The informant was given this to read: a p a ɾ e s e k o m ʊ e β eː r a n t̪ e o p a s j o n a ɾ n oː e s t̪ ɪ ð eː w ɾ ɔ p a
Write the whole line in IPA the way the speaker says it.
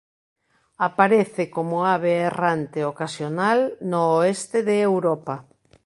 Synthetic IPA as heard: a p a ɾ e θ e k o m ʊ a β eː r a n t̪ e o k a s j o n a l n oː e s t̪ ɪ ð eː w ɾ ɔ p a